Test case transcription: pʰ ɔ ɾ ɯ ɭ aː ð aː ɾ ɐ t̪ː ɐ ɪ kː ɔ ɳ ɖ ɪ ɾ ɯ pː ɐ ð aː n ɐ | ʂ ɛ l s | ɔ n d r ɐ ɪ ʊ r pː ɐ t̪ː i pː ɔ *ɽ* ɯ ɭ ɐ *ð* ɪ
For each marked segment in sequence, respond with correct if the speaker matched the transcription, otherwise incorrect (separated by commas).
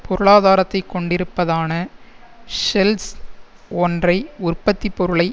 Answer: incorrect, incorrect